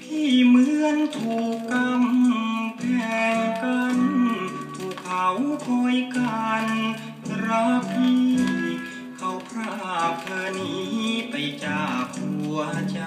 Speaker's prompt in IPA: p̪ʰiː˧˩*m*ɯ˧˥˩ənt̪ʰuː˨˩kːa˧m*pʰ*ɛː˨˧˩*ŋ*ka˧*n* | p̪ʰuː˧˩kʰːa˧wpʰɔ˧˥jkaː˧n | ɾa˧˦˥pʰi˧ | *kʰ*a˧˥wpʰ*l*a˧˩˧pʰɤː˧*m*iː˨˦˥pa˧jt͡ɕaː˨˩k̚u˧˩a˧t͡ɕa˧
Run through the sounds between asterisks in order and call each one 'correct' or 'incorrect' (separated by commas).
correct, correct, correct, correct, correct, incorrect, incorrect